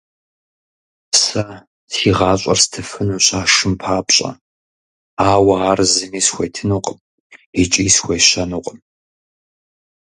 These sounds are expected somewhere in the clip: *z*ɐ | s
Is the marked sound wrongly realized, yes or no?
yes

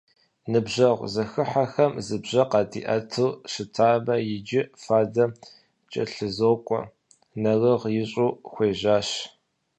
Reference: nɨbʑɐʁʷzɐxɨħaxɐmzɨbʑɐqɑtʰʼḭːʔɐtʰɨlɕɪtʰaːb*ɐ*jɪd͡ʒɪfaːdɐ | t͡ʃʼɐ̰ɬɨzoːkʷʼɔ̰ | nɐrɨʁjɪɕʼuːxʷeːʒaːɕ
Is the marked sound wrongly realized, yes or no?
no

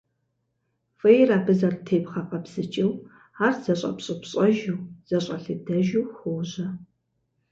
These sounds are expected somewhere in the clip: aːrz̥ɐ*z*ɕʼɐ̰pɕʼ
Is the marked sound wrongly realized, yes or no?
yes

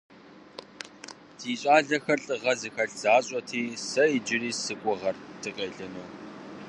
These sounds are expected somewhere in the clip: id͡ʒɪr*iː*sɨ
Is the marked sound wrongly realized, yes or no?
no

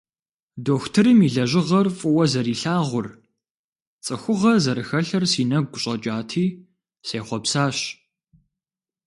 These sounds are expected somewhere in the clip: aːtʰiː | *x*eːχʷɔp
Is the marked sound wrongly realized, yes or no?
yes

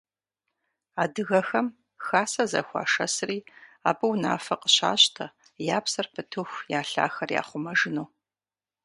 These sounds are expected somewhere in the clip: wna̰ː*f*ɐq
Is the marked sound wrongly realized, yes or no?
no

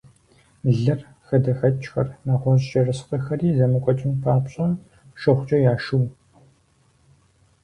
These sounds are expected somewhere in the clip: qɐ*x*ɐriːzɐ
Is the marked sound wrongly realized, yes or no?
no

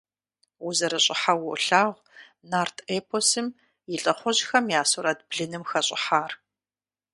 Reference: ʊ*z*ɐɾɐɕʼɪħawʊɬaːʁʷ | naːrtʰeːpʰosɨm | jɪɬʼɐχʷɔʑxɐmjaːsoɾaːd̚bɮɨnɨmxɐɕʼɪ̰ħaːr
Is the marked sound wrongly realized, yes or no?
no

